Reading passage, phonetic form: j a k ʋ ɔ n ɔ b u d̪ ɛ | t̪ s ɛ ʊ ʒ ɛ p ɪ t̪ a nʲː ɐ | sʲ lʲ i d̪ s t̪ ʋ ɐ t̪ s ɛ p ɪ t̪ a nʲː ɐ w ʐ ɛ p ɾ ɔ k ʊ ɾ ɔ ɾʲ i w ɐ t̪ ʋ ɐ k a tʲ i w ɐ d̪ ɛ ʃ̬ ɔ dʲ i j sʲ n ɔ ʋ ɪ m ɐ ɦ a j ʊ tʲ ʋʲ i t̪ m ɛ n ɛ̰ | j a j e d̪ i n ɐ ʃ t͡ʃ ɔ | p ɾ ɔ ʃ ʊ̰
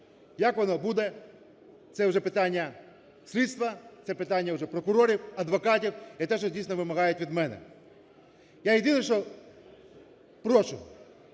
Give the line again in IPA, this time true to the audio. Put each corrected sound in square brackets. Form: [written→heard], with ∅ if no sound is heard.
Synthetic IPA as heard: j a k ʋ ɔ n ɔ b u d̪ ɛ | t̪ s ɛ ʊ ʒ ɛ p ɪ t̪ a nʲː ɐ | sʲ lʲ i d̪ s t̪ ʋ ɐ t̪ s ɛ p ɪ t̪ a nʲː ɐ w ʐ ɛ p ɾ ɔ k ʊ ɾ ɔ ɾʲ i w ɐ [t̪→d̪] ʋ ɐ k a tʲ i w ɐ [d̪→t̪] ɛ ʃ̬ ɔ dʲ i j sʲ n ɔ ʋ ɪ m ɐ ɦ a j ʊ tʲ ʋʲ i [t̪→d̪] m ɛ n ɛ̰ | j a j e d̪ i n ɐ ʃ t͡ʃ ɔ | p ɾ ɔ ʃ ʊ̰